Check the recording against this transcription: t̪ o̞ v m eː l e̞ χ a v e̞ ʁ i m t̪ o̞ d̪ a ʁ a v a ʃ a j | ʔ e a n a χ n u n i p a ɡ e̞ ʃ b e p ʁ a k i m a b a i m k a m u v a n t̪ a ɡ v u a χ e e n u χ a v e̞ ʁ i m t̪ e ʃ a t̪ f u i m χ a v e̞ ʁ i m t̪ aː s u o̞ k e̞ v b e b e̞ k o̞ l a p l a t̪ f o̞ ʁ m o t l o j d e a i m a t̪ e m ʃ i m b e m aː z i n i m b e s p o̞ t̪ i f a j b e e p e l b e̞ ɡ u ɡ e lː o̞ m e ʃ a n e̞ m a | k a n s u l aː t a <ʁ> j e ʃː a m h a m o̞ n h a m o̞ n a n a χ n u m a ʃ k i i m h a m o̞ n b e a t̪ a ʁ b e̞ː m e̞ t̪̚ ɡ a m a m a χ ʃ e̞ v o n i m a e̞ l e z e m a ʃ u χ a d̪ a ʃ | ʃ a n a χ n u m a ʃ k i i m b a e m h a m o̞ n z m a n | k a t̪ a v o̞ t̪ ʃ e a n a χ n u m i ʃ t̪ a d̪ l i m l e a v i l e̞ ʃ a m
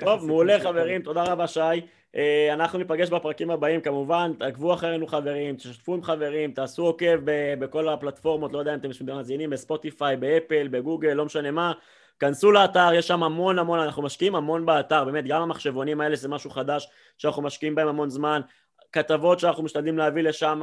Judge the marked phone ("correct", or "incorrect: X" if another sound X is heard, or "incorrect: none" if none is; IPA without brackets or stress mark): correct